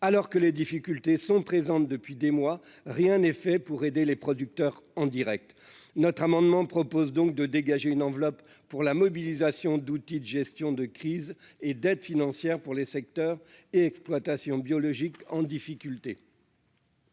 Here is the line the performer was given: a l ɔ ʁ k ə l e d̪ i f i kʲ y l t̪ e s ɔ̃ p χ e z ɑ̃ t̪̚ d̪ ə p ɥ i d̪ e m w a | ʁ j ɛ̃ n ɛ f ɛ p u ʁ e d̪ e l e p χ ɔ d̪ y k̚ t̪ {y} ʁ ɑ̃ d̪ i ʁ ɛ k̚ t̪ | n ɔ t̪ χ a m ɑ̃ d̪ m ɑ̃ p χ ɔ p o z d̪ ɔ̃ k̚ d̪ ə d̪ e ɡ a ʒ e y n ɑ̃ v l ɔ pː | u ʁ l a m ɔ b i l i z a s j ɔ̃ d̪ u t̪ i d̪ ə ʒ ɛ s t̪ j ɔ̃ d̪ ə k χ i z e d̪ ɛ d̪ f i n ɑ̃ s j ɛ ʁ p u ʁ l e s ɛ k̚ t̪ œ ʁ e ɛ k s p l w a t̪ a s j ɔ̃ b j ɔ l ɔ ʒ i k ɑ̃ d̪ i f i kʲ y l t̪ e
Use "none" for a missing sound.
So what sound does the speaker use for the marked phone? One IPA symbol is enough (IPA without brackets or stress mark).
œ